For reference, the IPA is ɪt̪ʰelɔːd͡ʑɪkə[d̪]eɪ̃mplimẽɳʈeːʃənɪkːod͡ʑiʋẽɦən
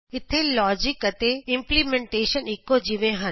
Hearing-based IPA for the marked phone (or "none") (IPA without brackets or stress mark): t̪